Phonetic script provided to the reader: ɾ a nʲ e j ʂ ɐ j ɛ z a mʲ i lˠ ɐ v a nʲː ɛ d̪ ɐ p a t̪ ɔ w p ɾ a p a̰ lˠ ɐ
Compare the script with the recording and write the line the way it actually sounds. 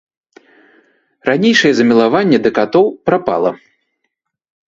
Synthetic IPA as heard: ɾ a nʲ e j ʂ ɐ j ɛ z ɐ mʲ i lˠ a v a nʲː ɛ d̪ ɐ k a t̪ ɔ w p ɾ a p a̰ lˠ ɐ

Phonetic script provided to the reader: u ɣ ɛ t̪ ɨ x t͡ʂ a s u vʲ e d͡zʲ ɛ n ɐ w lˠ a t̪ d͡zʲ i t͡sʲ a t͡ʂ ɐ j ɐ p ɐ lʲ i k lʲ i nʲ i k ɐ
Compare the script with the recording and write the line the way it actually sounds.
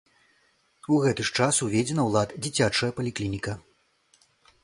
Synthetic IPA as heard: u ɣ ɛ t̪ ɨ ʂ t͡ʂ a s u vʲ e d͡zʲ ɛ n ɐ w lˠ a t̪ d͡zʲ i t͡sʲ a t͡ʂ ɐ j ɐ p ɐ lʲ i k lʲ i nʲ i k ɐ

